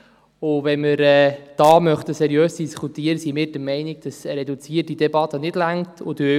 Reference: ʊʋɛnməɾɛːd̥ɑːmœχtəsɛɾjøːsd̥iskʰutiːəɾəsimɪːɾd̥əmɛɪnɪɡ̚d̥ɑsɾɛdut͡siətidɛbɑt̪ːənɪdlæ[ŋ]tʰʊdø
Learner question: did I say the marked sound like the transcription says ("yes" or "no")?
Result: yes